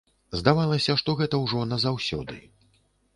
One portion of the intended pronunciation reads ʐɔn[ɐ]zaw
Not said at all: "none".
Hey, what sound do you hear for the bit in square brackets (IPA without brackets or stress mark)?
ɐ